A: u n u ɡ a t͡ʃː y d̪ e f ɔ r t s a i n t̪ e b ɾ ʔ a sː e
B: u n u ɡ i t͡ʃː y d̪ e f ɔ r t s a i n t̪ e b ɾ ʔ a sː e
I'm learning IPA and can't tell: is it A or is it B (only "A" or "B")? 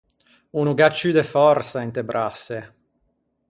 A